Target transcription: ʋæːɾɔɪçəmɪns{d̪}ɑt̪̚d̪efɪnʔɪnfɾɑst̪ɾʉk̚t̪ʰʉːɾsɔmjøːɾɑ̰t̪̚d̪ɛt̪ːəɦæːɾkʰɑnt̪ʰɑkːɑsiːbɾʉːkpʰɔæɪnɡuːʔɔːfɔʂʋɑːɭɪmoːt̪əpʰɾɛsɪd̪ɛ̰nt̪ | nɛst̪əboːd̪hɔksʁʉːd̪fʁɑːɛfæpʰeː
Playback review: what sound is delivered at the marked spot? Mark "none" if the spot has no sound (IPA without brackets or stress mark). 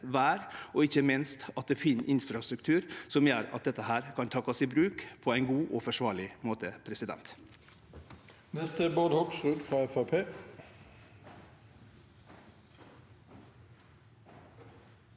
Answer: t̪